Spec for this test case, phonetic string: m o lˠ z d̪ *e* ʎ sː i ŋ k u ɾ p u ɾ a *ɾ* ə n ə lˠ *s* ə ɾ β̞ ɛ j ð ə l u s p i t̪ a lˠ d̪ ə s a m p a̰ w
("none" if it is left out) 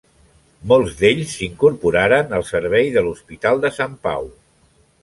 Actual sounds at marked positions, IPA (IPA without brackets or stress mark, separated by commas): e, ɾ, s